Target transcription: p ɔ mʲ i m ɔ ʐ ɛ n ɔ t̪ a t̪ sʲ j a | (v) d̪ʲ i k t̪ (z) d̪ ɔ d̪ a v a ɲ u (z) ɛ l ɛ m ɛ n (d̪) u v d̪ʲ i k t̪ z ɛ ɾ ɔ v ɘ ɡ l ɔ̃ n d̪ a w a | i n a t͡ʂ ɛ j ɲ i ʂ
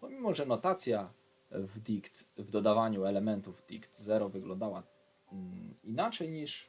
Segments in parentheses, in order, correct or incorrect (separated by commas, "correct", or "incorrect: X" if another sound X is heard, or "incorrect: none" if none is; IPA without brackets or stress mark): correct, incorrect: v, incorrect: none, incorrect: t̪